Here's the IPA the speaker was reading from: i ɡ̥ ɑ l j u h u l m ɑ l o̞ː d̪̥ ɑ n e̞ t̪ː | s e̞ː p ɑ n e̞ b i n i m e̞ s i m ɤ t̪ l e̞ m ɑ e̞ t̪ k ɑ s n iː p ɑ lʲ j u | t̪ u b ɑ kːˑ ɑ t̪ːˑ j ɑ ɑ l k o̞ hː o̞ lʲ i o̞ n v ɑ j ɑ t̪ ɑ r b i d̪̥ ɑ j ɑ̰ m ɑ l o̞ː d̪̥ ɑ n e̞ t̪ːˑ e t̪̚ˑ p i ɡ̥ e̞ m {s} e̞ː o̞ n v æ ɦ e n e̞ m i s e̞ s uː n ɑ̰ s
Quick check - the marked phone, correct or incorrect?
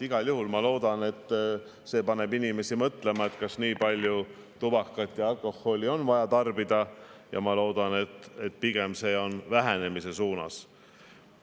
correct